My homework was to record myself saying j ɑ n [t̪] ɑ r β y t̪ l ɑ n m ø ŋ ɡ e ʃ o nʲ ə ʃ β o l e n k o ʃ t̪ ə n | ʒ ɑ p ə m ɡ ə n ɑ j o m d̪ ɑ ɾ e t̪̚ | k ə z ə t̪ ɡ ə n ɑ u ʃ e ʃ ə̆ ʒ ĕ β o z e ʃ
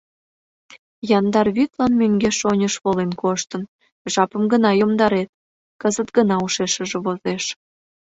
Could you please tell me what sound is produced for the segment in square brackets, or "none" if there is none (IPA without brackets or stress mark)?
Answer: d̪